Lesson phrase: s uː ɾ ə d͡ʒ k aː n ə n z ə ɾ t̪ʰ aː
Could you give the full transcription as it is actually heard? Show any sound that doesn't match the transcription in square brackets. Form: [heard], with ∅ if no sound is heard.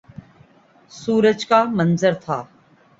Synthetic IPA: s uː ɾ ə d͡ʒ k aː [m] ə n z ə ɾ t̪ʰ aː